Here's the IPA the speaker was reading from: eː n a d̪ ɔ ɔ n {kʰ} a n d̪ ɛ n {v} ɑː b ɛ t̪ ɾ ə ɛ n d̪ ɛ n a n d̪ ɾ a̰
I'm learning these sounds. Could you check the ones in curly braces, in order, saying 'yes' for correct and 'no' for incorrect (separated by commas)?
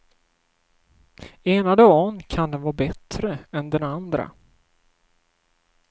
yes, yes